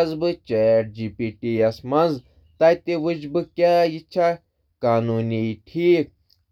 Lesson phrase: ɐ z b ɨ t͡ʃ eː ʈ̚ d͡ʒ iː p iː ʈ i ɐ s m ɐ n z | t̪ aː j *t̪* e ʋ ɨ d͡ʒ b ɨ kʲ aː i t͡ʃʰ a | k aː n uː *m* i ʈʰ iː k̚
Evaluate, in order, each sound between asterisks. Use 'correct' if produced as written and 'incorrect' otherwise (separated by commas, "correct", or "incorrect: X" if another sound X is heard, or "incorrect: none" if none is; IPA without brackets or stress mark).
correct, incorrect: n